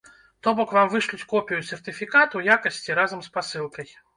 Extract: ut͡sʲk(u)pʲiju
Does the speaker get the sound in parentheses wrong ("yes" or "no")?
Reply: yes